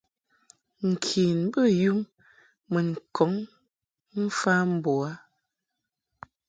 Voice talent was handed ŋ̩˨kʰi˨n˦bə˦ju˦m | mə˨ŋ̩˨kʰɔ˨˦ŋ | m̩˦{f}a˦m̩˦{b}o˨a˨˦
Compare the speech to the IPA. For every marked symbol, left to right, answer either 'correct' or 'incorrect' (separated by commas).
correct, correct